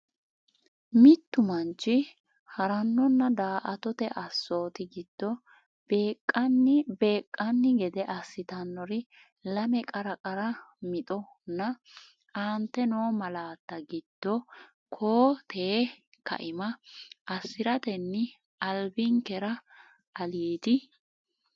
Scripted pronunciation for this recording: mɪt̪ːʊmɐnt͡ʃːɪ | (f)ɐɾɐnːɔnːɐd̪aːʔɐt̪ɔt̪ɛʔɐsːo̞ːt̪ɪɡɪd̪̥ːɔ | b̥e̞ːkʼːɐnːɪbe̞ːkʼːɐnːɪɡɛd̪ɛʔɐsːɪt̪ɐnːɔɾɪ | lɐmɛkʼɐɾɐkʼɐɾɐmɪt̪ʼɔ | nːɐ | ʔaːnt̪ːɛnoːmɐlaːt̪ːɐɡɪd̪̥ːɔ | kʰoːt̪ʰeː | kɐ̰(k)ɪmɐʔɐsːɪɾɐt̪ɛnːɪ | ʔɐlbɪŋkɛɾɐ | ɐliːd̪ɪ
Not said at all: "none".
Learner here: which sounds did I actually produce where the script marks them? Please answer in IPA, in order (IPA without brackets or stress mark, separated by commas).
h, ʔ